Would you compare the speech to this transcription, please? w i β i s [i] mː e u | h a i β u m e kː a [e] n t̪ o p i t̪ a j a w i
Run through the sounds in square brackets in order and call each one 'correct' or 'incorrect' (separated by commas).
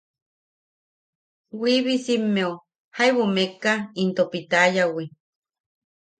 correct, incorrect